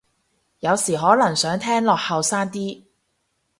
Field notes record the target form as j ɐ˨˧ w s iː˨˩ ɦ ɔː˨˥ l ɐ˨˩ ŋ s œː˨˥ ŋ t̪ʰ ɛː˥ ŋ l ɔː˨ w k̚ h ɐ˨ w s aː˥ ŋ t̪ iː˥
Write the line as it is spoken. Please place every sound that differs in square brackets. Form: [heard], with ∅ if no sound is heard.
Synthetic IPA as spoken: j ɐ˨˧ w s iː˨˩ ɦ ɔː˨˥ l ɐ˨˩ ŋ s œː˨˥ ŋ t̪ʰ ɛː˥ ŋ l ɔː˨ [∅] k̚ h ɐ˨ w s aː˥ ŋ t̪ iː˥